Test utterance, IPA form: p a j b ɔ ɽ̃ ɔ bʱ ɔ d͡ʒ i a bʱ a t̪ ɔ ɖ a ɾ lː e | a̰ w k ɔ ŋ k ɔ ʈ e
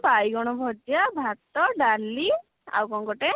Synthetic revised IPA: p a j ɡ ɔ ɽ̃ ɔ bʱ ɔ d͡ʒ j a bʱ a t̪ ɔ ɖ a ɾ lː i | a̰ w k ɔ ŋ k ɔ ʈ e